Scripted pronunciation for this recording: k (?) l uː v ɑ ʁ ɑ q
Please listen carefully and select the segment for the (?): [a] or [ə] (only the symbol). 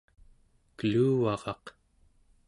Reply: ə